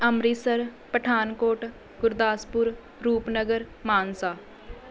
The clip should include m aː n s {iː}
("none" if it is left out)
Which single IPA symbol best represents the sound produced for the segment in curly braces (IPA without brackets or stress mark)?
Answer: aː